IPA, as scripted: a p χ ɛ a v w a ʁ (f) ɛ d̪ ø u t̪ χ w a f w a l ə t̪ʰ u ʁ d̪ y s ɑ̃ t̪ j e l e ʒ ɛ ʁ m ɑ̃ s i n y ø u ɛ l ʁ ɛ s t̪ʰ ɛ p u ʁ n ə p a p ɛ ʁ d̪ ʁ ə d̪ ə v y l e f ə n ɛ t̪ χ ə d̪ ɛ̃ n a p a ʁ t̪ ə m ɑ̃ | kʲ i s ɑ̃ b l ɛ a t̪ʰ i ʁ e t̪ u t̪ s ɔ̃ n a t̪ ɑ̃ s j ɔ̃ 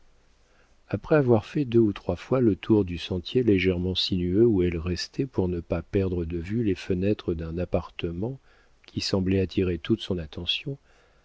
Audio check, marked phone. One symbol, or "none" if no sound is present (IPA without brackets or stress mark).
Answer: f